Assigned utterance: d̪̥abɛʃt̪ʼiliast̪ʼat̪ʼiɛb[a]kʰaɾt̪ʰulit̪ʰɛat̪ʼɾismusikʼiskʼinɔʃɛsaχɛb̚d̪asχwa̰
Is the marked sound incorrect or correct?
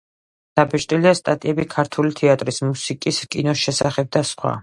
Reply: incorrect